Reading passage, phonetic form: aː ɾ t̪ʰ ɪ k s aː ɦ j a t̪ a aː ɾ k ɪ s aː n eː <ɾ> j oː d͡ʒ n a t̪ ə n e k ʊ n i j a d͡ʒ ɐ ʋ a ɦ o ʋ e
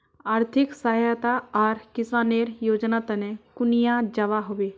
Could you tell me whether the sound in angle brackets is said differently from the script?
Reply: no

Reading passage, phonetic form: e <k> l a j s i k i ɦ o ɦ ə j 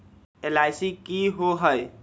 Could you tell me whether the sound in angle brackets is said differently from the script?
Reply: yes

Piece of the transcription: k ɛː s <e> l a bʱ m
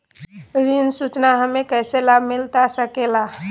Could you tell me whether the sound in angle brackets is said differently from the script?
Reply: no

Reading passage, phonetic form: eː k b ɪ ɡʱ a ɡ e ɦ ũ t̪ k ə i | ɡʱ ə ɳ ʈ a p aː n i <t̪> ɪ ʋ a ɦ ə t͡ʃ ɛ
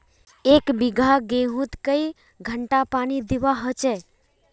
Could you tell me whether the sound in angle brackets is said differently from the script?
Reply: yes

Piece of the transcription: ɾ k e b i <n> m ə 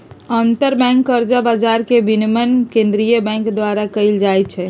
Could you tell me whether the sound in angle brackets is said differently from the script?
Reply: no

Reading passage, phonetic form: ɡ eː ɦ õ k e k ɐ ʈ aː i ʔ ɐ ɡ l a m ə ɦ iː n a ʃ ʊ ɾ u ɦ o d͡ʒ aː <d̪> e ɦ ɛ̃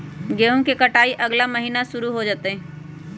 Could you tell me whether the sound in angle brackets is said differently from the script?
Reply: yes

